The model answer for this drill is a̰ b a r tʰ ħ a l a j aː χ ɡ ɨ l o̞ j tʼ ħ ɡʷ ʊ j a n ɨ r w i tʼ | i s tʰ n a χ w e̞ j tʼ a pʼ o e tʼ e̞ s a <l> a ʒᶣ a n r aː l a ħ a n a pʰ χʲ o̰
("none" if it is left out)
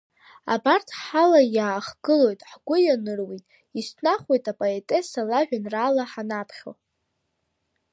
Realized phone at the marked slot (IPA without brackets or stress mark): l